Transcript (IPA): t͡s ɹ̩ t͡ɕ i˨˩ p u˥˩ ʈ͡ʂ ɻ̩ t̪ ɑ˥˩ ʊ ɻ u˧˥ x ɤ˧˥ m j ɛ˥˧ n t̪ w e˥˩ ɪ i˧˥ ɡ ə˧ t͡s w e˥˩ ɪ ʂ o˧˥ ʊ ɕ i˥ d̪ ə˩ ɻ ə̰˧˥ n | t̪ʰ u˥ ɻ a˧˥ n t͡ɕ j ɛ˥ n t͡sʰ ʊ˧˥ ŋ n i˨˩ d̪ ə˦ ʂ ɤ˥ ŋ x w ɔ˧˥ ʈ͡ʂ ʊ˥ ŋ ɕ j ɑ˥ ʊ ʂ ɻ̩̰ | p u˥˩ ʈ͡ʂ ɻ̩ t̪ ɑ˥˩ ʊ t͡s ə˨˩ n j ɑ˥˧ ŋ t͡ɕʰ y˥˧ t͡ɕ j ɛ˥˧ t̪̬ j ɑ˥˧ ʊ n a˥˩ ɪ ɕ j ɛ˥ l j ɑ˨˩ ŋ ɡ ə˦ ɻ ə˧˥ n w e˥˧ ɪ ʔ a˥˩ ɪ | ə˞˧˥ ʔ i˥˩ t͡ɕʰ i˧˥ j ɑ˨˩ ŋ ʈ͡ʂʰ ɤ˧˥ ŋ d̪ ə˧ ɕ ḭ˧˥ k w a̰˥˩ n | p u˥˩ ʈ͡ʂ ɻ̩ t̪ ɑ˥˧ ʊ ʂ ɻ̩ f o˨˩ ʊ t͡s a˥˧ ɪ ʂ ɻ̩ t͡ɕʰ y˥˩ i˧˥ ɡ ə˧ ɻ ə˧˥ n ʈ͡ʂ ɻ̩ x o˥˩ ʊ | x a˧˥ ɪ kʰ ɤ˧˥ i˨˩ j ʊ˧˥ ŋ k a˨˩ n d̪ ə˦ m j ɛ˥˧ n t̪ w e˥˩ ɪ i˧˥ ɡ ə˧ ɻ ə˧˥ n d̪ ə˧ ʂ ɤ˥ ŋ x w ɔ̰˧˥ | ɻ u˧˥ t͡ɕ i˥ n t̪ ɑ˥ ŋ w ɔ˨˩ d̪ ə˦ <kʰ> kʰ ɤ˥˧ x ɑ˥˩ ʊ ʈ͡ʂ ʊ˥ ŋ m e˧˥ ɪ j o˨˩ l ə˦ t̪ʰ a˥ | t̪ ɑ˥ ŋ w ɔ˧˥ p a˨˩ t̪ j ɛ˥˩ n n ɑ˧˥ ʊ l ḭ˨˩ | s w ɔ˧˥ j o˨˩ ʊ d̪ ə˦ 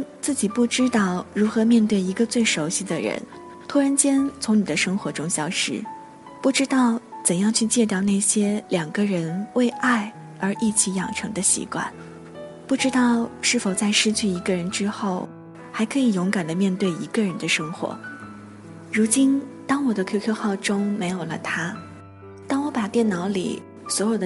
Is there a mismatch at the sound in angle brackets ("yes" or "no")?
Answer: no